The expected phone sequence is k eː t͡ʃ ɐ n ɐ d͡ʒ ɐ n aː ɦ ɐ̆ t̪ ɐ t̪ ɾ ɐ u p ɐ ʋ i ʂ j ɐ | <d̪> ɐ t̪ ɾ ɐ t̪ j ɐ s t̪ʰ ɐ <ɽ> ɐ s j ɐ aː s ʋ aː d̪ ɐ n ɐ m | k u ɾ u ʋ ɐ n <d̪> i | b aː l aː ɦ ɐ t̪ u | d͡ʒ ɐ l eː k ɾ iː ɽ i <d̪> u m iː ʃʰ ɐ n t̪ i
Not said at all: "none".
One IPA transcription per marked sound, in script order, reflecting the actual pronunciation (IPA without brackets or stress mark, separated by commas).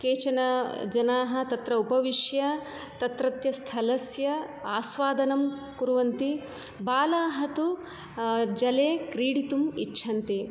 t̪, l, t̪, t̪